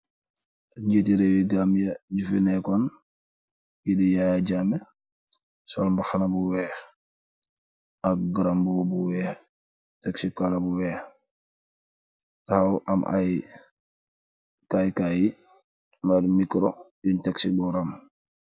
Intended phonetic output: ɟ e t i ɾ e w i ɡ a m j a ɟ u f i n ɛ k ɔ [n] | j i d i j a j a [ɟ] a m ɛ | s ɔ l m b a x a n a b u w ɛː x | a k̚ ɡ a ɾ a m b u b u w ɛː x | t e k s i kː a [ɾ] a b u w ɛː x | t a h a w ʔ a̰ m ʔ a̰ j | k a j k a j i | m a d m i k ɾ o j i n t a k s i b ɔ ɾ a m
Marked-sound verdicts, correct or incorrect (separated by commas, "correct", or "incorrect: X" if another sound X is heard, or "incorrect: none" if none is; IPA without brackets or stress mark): correct, correct, incorrect: l